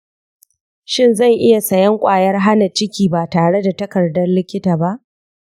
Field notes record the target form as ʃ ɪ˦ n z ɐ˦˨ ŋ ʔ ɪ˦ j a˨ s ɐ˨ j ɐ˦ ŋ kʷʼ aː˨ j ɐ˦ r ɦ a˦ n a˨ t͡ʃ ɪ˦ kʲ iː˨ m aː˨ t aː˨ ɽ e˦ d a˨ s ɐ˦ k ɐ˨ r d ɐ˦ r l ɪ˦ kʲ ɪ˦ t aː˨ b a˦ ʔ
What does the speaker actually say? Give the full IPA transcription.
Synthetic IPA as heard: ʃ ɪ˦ n z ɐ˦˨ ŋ ʔ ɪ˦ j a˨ s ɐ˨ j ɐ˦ ŋ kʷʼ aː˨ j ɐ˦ r ɦ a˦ n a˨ t͡ʃ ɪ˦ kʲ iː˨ b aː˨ t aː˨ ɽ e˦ d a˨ t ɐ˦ k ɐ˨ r d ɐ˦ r l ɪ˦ kʲ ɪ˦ t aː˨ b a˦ ʔ